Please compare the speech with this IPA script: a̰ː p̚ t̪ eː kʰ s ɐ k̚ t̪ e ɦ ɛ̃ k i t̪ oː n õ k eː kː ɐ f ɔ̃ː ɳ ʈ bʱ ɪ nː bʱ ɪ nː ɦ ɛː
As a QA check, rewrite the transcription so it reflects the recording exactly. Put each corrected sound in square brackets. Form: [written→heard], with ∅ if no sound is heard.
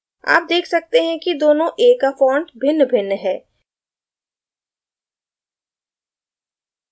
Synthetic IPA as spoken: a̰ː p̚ [t̪→d̪] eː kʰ s ɐ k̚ t̪ e ɦ ɛ̃ k i [t̪→d̪] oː n õ [k→ʔ] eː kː [ɐ→a] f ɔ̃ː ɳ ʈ bʱ ɪ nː bʱ ɪ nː ɦ ɛː

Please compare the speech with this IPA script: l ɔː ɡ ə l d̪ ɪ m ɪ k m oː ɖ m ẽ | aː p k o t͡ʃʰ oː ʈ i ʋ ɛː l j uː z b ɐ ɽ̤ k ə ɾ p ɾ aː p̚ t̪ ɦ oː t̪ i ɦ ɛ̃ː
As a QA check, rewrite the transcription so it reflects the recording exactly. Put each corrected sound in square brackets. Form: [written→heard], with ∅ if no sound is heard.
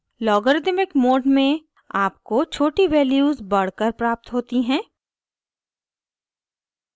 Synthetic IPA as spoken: l ɔː ɡ ə [l→ɾ] d̪ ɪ m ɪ k m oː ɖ m ẽ | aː p k o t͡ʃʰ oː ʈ i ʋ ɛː l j uː z b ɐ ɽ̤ k ə ɾ p ɾ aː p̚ t̪ ɦ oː t̪ i ɦ ɛ̃ː

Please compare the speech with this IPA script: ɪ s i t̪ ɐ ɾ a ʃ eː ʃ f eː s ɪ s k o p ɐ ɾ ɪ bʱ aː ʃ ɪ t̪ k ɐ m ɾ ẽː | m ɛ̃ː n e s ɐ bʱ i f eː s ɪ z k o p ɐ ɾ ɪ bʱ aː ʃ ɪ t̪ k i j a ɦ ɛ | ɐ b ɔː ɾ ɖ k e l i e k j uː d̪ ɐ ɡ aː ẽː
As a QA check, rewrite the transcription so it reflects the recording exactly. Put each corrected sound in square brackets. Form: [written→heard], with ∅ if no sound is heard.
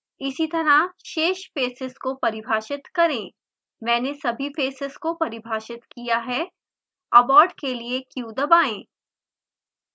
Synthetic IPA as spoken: ɪ s i t̪ ɐ ɾ a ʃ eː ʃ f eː s ɪ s k o p ɐ ɾ ɪ bʱ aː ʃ ɪ t̪ k ɐ [m→∅] ɾ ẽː | m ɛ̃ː n e s ɐ bʱ i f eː s ɪ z k o p ɐ ɾ ɪ bʱ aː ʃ ɪ t̪ k i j a ɦ ɛ | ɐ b ɔː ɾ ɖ k e l i e k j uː d̪ ɐ [ɡ→b] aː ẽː

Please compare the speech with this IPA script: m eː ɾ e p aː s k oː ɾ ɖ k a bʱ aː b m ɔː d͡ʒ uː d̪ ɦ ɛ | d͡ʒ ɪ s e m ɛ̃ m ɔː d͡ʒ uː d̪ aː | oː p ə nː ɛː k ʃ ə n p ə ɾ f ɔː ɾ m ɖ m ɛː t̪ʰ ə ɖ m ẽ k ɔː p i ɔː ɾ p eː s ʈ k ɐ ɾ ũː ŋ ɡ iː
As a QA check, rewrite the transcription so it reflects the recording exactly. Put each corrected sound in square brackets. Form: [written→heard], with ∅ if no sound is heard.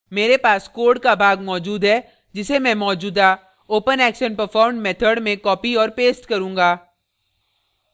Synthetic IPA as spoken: m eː ɾ e p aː s k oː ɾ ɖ k a bʱ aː [b→ɡ] m ɔː d͡ʒ uː d̪ ɦ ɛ | d͡ʒ ɪ s e m ɛ̃ m ɔː d͡ʒ uː d̪ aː | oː p ə [nː→n] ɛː k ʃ ə n p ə ɾ f ɔː ɾ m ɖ m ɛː t̪ʰ ə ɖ m ẽ k ɔː p i ɔː ɾ p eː s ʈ k ɐ ɾ ũː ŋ ɡ [iː→aː]

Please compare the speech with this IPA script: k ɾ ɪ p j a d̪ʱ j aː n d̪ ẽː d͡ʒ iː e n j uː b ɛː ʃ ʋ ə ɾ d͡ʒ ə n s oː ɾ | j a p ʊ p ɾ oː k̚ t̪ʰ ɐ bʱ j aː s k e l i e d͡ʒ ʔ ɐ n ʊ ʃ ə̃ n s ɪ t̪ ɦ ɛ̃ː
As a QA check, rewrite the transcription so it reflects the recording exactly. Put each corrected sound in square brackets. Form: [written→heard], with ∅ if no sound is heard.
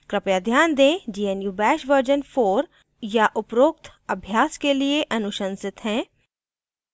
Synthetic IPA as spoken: k ɾ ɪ p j a d̪ʱ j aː n d̪ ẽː d͡ʒ iː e n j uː b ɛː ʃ ʋ ə ɾ d͡ʒ ə n [s→f] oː ɾ | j a [p→ʔ] ʊ p ɾ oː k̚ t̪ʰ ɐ bʱ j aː s k e l i e [d͡ʒ→∅] ʔ ɐ n ʊ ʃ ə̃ n s ɪ t̪ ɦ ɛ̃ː

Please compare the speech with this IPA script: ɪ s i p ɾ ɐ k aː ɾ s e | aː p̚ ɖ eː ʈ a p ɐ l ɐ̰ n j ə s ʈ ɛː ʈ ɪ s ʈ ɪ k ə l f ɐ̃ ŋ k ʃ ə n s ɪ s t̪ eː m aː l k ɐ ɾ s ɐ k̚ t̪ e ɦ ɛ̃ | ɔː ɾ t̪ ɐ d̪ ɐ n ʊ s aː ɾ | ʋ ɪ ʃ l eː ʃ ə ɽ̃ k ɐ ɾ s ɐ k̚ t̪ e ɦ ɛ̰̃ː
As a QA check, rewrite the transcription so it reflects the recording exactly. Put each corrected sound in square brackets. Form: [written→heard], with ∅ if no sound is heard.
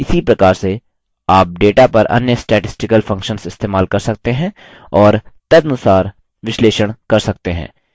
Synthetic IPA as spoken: ɪ s i p ɾ ɐ k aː ɾ s e | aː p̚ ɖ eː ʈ a p ɐ [l→ɾ] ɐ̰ n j ə s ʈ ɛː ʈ ɪ s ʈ ɪ k ə l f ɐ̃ ŋ k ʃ ə n s ɪ s t̪ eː m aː l k ɐ ɾ s ɐ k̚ t̪ e ɦ ɛ̃ | ɔː ɾ t̪ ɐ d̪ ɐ n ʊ s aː ɾ | ʋ ɪ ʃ l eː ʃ ə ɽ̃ k ɐ ɾ s ɐ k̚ t̪ e ɦ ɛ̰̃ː

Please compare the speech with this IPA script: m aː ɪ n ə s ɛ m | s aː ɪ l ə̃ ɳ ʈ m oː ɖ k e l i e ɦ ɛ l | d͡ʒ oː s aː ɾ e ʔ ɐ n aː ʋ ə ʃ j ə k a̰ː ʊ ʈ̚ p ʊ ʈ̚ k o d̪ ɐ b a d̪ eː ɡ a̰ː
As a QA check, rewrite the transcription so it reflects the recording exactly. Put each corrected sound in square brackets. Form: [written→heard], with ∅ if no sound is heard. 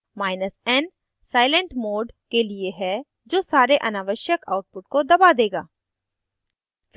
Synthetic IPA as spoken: m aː ɪ n ə s ɛ [m→n] | s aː ɪ l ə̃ ɳ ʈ m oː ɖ k e l i e ɦ ɛ [l→∅] | d͡ʒ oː s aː ɾ e ʔ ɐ n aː ʋ ə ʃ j ə k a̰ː ʊ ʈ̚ p ʊ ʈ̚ k o d̪ ɐ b a d̪ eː ɡ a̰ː

